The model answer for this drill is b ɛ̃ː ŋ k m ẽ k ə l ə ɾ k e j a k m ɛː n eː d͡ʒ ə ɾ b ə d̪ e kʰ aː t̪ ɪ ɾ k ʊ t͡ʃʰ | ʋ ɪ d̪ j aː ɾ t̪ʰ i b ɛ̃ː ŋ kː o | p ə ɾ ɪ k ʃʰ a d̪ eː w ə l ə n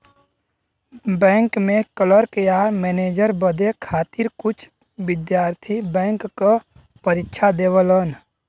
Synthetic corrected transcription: b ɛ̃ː ŋ k m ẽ k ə l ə ɾ k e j a m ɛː n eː d͡ʒ ə ɾ b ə d̪ e kʰ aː t̪ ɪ ɾ k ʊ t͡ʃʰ | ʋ ɪ d̪ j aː ɾ t̪ʰ i b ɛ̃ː ŋ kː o | p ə ɾ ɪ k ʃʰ a d̪ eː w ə l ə n